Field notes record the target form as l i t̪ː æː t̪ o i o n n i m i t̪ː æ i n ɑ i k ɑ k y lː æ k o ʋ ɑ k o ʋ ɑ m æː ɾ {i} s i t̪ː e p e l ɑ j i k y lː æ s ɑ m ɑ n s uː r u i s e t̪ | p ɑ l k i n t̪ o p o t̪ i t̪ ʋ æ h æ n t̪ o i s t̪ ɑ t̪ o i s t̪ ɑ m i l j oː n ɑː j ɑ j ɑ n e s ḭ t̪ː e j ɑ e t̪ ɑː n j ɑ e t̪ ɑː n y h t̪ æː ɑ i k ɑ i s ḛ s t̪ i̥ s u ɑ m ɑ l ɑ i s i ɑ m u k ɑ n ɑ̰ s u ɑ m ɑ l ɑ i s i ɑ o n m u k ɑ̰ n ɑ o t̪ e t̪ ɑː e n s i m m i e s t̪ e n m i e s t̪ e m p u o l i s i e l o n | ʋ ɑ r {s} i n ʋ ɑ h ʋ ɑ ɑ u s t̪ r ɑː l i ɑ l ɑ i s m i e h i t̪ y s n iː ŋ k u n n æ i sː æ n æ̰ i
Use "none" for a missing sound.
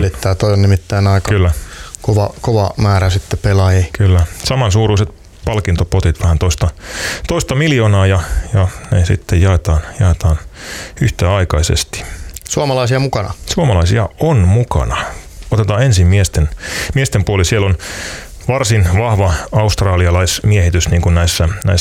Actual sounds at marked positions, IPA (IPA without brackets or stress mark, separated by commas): æ, s